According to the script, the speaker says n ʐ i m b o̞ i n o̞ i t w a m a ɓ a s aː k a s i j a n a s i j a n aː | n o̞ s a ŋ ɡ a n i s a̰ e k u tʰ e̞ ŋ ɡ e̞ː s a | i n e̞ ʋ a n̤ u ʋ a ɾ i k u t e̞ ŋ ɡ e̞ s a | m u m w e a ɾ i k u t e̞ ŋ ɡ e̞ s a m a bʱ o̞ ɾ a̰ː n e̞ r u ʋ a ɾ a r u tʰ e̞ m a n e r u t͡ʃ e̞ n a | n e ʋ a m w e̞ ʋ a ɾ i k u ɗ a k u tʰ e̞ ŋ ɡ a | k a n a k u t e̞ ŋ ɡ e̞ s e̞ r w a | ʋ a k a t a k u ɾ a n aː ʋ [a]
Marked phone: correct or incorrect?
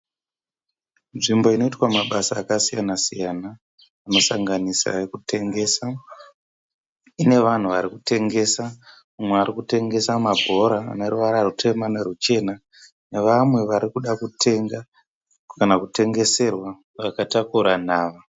correct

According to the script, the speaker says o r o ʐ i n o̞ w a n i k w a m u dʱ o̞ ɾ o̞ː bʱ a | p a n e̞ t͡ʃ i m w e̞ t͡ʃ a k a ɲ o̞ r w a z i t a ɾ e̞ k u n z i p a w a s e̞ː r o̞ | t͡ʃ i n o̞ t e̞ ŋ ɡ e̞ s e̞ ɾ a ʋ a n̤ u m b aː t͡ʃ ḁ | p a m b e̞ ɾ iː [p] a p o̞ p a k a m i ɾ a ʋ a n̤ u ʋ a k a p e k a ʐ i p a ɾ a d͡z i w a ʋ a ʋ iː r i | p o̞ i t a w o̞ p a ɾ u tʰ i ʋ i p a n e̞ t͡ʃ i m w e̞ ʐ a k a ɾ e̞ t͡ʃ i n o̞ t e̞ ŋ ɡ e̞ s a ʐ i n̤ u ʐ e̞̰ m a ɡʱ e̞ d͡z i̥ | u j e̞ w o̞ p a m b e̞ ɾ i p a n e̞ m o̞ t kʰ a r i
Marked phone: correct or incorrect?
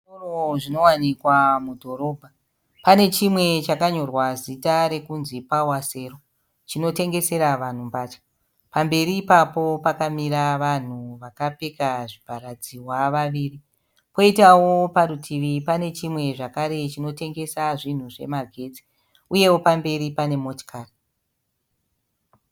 correct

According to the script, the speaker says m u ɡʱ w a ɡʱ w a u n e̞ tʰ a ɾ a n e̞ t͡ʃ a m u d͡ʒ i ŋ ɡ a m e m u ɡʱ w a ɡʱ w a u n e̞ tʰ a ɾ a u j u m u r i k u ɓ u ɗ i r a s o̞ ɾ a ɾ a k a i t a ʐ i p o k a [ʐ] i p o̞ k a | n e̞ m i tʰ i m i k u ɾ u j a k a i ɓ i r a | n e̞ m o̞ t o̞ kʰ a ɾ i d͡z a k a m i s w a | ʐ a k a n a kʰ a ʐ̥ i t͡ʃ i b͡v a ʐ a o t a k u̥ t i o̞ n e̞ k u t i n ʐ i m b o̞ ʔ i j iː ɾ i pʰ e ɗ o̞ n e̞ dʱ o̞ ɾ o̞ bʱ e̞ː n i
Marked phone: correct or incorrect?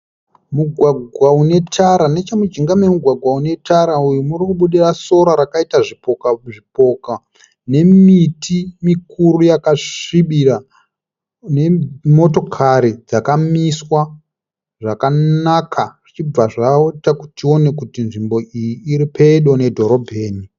correct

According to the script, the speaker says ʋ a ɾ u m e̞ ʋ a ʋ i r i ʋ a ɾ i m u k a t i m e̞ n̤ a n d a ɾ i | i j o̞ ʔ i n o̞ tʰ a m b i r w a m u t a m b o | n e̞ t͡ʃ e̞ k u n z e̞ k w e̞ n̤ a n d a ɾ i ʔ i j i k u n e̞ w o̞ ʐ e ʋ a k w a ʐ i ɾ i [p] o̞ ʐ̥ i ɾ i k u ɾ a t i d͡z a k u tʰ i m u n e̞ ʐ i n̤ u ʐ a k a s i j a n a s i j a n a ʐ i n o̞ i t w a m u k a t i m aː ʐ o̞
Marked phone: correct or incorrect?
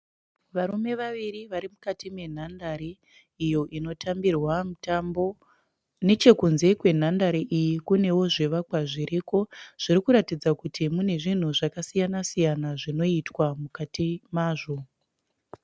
incorrect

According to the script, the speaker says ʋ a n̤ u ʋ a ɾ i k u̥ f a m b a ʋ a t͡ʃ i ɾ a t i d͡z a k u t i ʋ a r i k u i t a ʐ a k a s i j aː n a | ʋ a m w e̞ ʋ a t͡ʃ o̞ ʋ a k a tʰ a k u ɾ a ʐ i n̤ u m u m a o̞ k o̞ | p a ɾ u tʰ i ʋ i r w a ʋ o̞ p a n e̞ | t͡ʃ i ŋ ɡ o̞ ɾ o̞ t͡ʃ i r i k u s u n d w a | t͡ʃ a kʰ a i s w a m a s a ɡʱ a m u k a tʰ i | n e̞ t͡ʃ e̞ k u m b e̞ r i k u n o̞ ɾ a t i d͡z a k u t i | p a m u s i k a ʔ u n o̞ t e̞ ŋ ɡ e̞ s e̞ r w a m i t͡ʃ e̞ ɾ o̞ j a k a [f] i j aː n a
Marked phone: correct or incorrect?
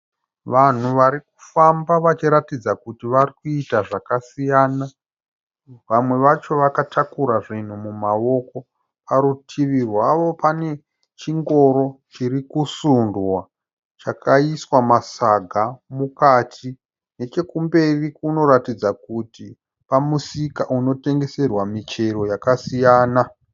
incorrect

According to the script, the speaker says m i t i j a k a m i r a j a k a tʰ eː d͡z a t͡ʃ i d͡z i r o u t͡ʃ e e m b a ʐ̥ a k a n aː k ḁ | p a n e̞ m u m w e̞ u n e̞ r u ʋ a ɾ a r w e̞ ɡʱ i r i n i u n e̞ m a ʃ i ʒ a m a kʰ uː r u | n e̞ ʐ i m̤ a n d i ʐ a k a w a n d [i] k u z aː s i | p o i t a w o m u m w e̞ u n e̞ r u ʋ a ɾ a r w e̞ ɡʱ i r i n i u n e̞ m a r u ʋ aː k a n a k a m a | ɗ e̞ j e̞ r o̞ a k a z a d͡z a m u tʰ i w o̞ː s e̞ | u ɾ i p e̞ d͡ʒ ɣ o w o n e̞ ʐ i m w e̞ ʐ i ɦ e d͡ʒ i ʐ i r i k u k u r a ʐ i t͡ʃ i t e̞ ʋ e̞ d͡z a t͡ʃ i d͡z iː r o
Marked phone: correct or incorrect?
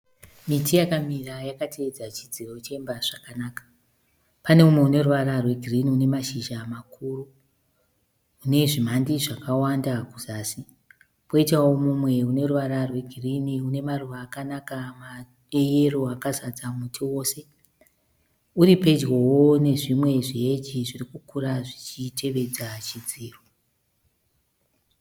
incorrect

